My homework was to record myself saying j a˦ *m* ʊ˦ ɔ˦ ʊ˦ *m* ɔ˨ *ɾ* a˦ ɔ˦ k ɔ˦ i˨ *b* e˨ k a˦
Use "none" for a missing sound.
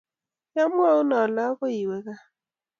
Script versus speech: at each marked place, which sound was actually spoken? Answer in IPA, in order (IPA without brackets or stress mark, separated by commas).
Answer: m, n, l, w